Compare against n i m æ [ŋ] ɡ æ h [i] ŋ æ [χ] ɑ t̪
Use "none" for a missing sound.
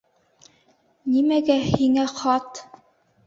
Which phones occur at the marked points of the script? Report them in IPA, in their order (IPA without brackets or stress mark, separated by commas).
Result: none, i, χ